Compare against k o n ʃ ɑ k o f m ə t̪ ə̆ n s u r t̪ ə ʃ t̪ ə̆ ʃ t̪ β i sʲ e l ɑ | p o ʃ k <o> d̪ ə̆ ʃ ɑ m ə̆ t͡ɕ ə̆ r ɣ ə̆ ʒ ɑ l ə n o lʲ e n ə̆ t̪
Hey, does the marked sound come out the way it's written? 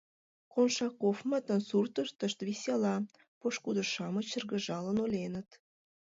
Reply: no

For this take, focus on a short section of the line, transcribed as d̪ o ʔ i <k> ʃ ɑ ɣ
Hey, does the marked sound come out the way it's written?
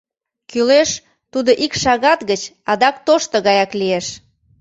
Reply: yes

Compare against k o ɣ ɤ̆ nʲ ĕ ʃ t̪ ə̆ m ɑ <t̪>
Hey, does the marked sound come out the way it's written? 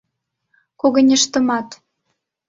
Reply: yes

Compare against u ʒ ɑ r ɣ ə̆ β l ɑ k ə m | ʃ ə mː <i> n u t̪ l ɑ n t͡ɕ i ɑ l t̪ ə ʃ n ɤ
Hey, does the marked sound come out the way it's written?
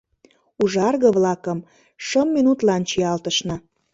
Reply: yes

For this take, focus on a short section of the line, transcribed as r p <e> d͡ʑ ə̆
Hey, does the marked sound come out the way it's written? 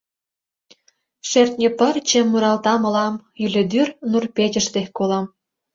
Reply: yes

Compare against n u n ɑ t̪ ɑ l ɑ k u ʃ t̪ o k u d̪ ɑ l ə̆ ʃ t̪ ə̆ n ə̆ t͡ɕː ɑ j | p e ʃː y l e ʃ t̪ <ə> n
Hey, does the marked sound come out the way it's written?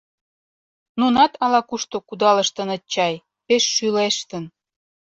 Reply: yes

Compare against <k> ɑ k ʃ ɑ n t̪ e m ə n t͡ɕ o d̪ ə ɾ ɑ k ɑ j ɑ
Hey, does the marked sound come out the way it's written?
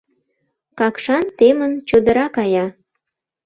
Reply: yes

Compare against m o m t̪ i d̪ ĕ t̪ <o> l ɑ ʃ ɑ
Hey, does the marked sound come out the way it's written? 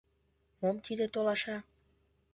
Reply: yes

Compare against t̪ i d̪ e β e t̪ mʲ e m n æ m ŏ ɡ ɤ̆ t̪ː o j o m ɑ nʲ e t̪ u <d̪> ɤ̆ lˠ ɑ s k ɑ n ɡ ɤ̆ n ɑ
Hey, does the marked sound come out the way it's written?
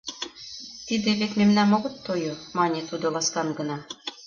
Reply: yes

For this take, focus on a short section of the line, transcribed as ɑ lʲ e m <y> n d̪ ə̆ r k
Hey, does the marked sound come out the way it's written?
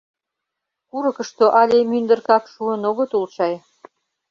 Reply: yes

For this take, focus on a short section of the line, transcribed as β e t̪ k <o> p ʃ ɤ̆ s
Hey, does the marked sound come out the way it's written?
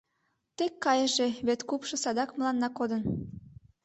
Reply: no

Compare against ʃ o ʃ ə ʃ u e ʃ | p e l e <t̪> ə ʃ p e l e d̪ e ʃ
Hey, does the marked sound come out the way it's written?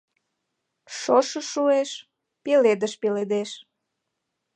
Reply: no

